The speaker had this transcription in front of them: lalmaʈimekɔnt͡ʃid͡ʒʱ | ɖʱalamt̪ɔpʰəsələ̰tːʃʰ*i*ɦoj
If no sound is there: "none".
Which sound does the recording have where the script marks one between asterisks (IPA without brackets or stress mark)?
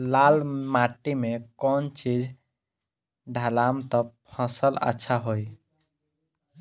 a